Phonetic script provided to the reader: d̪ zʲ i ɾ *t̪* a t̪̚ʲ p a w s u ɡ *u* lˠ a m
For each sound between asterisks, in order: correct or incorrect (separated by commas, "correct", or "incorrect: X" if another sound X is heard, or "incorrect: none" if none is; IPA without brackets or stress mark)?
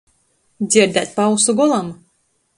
incorrect: d̪, incorrect: ɔ